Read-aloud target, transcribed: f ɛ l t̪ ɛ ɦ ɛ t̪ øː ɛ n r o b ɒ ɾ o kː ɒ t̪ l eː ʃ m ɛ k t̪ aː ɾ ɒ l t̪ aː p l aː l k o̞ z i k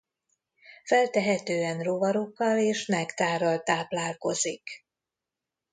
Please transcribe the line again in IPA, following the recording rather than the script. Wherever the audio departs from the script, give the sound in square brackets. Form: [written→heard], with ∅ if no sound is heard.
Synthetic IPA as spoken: f ɛ l t̪ ɛ ɦ ɛ t̪ øː ɛ n r o [b→v] ɒ ɾ o kː ɒ [t̪→∅] l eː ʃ m ɛ k t̪ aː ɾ ɒ l t̪ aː p l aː l k o̞ z i k